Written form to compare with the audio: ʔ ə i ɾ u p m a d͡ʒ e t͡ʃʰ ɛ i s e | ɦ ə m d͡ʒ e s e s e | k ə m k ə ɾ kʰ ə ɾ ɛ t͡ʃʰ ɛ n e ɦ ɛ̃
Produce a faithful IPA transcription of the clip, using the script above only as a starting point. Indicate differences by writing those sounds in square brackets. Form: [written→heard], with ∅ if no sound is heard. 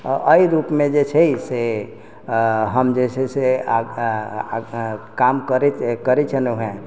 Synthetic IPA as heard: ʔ ə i ɾ u p m [a→e] d͡ʒ e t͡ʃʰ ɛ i s e | ɦ ə m d͡ʒ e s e s e | k [ə→a] m k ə ɾ [kʰ→k] ə ɾ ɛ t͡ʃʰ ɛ n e ɦ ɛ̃